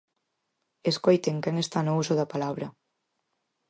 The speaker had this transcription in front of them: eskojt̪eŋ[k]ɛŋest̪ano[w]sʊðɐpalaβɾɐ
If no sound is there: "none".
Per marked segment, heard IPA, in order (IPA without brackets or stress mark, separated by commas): k, u